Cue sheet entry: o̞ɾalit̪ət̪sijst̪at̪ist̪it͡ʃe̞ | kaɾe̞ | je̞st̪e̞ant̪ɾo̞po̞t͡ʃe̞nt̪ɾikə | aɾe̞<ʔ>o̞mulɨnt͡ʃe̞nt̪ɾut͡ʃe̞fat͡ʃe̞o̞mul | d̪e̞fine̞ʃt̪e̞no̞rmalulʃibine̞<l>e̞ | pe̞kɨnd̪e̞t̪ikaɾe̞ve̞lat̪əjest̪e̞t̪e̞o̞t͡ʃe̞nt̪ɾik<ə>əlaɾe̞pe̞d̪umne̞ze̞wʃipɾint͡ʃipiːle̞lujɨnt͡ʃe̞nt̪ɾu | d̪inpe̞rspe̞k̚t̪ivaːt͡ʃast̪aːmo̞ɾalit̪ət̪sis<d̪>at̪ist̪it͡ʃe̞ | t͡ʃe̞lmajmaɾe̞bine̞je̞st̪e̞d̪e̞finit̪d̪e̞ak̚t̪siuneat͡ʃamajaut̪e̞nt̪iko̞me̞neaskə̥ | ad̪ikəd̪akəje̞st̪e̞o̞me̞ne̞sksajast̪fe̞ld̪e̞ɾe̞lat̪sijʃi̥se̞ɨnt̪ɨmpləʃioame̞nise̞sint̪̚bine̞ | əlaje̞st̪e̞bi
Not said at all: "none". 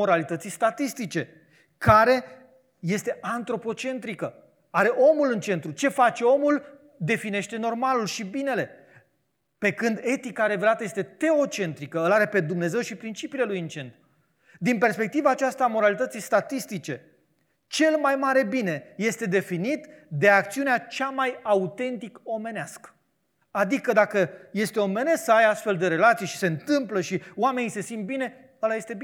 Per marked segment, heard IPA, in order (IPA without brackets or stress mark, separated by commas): ʔ, l, ə, t̪